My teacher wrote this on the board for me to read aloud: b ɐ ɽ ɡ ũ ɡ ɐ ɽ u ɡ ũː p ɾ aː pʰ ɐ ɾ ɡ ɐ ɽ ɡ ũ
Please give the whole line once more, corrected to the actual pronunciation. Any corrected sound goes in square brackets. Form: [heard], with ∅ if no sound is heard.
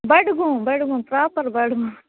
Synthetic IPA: b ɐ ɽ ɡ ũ [b] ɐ ɽ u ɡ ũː p ɾ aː [p] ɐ ɾ [b] ɐ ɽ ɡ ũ